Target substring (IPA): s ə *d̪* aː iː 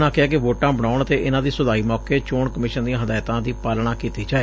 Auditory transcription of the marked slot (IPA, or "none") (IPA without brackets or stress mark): d̪